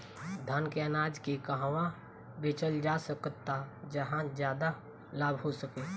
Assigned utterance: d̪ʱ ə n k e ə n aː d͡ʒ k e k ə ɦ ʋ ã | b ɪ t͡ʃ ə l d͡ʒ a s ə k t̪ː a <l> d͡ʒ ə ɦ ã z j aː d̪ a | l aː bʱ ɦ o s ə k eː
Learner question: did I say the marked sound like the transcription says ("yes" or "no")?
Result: no